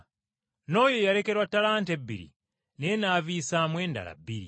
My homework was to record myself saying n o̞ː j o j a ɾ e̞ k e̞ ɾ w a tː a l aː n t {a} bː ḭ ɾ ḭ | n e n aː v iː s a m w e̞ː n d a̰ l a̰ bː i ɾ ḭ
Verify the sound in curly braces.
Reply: incorrect: e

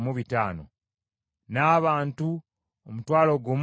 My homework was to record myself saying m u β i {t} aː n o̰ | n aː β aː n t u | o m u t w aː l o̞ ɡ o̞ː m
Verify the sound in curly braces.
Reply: correct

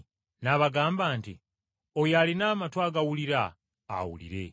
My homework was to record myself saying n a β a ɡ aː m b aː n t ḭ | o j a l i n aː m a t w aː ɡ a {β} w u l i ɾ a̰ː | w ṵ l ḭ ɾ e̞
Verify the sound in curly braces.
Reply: incorrect: none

